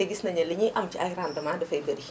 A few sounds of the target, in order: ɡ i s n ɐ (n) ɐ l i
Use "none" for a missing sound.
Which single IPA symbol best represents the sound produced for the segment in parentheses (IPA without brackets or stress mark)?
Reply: ɲ